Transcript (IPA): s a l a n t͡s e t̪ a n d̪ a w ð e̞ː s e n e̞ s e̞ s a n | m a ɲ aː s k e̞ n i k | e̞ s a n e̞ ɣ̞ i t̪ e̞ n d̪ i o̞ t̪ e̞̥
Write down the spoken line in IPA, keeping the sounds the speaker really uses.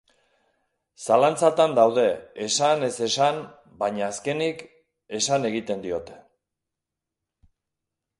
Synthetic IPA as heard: s a l a n t͡s a t̪ a n d̪ a w ð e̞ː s a n e̞ s e̞ s a n | b a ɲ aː s k e̞ n i k | e̞ s a n e̞ ɣ̞ i t̪ e̞ n d̪ i o̞ t̪ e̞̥